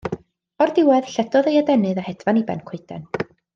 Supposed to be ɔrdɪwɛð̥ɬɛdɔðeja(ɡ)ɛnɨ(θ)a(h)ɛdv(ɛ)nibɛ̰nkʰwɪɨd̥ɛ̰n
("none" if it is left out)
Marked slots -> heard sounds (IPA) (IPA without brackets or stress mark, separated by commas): d, ð, h, a